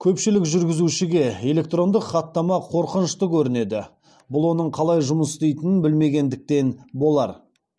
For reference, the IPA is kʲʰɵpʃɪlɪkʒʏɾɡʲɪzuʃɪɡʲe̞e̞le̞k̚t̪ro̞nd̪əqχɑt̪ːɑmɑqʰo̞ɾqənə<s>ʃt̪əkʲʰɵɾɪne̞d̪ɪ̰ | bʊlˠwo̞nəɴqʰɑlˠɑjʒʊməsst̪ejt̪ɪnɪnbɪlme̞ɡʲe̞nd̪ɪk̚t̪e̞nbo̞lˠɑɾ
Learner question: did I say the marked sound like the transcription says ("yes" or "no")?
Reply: no